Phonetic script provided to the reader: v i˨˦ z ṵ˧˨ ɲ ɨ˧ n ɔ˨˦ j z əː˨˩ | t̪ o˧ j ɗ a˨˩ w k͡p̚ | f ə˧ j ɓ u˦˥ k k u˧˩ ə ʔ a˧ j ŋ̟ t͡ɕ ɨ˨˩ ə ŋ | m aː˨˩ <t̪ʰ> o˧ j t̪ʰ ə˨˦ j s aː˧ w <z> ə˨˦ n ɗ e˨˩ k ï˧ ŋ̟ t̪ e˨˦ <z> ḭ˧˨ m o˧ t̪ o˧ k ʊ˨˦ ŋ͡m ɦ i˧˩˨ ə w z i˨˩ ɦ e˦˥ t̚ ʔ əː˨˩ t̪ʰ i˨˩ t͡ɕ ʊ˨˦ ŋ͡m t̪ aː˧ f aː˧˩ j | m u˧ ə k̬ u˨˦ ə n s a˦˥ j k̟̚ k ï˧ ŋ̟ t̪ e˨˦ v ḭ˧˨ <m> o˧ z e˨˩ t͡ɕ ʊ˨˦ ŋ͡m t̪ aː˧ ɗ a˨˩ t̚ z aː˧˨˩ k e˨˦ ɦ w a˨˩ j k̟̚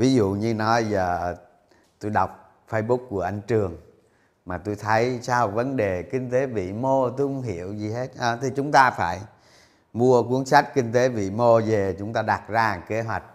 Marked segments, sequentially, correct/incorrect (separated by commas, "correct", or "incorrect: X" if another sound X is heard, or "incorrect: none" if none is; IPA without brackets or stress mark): incorrect: t̪, incorrect: v, incorrect: v, correct